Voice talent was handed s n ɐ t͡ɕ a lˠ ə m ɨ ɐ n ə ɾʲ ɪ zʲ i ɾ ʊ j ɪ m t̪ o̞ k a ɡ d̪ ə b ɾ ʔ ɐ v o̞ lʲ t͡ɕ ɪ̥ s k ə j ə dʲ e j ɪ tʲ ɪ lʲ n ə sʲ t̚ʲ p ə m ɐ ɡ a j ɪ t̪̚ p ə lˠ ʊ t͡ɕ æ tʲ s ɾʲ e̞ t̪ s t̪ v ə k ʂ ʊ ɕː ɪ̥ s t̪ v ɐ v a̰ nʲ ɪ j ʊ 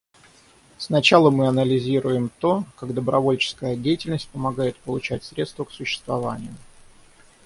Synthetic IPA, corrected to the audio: s n ɐ t͡ɕ a lˠ ə m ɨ ɐ n ə lʲ ɪ zʲ i ɾ ʊ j ɪ m t̪ o̞ k a ɡ d̪ ə b ɾ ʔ ɐ v o̞ lʲ t͡ɕ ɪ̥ s k ə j ə dʲ e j ɪ tʲ ɪ lʲ n ə sʲ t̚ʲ p ə m ɐ ɡ a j ɪ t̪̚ p ə lˠ ʊ t͡ɕ æ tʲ s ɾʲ e̞ t̪ s t̪ v ə k s ʊ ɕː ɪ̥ s t̪ v ɐ v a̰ nʲ ɪ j ʊ